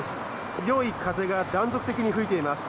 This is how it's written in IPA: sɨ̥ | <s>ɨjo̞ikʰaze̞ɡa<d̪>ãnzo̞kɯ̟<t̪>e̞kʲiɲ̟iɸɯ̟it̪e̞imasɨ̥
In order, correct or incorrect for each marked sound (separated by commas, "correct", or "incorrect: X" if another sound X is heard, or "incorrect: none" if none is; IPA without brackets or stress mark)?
incorrect: t͡s, correct, correct